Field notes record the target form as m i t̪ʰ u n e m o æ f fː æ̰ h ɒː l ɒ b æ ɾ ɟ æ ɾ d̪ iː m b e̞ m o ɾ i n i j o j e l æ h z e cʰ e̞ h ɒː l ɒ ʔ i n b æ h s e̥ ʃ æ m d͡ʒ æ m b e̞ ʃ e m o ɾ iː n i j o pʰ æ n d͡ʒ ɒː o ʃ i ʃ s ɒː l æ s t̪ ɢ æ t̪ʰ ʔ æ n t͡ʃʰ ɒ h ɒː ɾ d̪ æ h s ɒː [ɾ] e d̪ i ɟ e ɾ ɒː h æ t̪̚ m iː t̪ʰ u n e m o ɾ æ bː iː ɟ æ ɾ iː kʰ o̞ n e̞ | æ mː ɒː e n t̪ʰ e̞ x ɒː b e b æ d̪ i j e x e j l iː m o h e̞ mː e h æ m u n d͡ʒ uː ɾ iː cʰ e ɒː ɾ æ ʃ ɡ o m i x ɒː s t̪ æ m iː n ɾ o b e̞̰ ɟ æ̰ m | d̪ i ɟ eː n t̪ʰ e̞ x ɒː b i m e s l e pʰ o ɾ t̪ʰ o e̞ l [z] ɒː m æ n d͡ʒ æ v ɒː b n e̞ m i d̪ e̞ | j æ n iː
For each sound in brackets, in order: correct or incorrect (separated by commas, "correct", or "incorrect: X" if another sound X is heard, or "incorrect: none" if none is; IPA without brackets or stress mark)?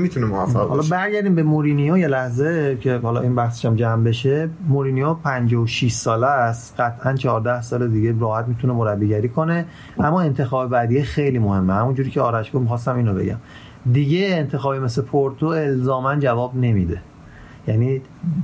incorrect: l, correct